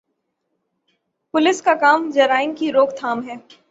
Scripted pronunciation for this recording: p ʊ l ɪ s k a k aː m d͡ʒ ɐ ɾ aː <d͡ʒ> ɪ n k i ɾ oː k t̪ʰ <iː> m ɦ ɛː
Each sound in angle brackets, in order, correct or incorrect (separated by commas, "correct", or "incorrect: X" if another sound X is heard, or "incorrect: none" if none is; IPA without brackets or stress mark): incorrect: none, incorrect: aː